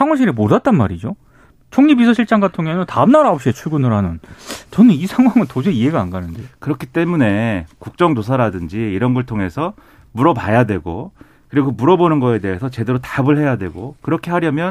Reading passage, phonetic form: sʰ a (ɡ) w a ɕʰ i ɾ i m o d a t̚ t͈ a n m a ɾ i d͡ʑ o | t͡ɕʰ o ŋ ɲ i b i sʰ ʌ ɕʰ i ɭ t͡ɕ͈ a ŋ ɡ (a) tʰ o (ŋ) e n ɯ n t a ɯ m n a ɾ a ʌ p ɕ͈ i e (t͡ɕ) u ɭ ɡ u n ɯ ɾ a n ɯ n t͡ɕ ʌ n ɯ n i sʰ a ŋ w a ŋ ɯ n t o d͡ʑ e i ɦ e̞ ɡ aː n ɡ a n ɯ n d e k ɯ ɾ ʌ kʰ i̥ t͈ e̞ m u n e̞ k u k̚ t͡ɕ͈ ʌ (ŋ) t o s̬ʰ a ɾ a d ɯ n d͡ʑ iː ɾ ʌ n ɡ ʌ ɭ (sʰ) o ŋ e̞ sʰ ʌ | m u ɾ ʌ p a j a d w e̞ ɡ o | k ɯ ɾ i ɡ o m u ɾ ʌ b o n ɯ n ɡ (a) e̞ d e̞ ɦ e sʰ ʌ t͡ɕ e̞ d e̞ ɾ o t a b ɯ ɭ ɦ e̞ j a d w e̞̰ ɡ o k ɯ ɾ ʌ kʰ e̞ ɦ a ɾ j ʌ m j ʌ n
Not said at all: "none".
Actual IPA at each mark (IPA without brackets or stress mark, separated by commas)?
ŋ, a, ŋ, t͡ɕʰ, ŋ, tʰ, ʌ